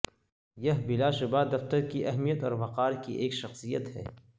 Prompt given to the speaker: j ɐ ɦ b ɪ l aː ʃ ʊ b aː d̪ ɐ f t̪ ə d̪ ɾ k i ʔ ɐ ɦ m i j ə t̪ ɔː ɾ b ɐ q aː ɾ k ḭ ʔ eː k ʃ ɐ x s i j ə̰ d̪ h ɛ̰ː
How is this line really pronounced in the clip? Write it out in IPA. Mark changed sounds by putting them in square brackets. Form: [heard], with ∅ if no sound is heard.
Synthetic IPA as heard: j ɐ ɦ b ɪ l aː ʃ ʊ b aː d̪ ɐ f t̪ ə [∅] ɾ k i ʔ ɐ ɦ m i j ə t̪ ɔː ɾ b ɐ q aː ɾ k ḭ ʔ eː k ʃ ɐ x s i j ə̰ [t̪] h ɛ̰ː